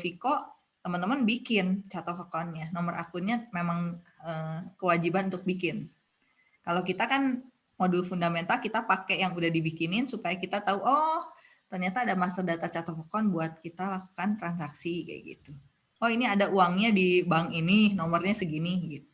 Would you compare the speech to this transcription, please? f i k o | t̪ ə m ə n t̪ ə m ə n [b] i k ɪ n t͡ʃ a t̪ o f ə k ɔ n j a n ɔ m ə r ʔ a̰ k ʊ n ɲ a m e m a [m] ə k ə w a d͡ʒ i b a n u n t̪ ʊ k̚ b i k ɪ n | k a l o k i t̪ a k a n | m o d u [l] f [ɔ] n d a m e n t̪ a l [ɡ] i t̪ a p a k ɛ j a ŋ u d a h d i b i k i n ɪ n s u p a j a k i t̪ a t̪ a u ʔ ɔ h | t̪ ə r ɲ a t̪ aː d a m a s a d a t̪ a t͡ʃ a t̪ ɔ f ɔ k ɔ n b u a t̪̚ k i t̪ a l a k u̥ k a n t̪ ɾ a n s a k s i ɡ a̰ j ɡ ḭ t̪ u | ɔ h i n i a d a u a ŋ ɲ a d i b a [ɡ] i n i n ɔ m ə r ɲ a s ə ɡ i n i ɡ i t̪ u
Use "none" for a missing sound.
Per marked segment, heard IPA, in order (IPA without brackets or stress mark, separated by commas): b, ŋ, l, u, k, ŋ